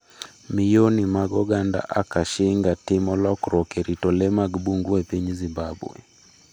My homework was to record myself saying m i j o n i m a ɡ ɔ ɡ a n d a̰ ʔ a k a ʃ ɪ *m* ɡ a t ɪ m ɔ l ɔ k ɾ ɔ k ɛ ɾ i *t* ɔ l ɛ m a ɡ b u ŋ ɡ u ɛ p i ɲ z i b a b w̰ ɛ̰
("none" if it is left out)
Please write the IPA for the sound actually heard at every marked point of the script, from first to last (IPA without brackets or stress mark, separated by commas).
ŋ, t